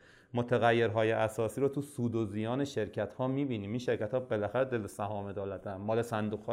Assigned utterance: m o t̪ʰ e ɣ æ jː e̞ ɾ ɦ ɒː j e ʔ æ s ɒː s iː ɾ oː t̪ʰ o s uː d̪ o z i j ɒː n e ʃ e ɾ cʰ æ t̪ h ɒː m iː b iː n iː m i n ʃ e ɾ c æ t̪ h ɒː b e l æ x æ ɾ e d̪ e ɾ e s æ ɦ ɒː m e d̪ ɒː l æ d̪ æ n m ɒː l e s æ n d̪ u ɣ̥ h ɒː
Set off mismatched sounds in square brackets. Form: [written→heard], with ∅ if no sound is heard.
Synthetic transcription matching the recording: m o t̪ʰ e ɣ æ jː e̞ ɾ ɦ ɒː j e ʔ æ s ɒː s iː ɾ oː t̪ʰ [o→u] s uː d̪ o z i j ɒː n e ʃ e ɾ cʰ æ t̪ h ɒː m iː b iː n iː m i n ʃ e ɾ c æ t̪ h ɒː b e l æ x æ ɾ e d̪ e [ɾ→l] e s æ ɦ ɒː m e d̪ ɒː l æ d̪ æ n m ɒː l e s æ n d̪ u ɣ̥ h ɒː